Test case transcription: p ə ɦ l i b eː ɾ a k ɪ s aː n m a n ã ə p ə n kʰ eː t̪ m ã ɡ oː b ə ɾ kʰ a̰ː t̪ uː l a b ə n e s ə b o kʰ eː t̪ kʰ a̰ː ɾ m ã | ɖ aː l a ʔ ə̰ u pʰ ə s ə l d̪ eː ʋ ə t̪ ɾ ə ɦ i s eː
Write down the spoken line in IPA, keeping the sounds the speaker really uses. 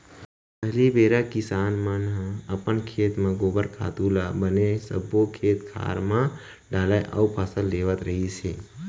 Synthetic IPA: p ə ɦ l i b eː ɾ a k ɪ s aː n m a n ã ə p ə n kʰ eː t̪ m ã ɡ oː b ə ɾ kʰ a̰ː t̪ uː l a b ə n e s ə b o kʰ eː t̪ kʰ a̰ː ɾ m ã | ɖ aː l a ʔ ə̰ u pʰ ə s ə l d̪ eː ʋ ə t̪ ɾ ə ɦ i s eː